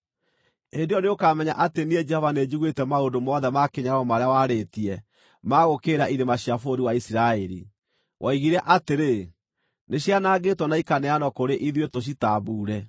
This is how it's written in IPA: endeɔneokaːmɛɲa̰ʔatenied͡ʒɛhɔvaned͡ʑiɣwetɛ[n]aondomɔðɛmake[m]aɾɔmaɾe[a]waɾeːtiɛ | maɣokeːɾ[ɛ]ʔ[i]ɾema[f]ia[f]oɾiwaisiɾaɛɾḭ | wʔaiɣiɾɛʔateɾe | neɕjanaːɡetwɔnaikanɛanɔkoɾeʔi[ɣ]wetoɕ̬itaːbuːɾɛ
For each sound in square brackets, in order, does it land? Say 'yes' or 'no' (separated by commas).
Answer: no, no, yes, no, yes, no, yes, no